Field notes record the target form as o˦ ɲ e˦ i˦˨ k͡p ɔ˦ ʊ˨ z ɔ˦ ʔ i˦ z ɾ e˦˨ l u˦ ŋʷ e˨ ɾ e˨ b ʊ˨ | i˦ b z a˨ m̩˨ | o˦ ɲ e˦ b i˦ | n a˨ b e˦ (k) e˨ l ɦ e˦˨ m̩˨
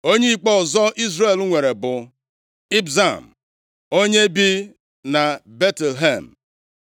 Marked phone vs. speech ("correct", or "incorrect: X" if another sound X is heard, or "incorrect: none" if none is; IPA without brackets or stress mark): incorrect: t